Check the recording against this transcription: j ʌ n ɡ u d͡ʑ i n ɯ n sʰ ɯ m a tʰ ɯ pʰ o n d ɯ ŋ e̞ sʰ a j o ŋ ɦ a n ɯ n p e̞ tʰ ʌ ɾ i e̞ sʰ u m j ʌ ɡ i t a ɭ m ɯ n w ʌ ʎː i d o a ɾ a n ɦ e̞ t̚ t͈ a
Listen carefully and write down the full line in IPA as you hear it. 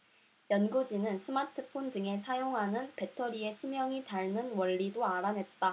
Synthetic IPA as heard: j ʌ n ɡ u d͡ʑ i n ɯ n sʰ ɯ m a tʰ ɯ pʰ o n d ɯ ŋ e̞ sʰ a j o ŋ ɦ a n ɯ n p e̞ tʰ ʌ ɾ i e̞ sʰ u m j ʌ ŋ i t a ɭ n ɯ n w ʌ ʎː i d o a ɾ a n ɦ e̞ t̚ t͈ a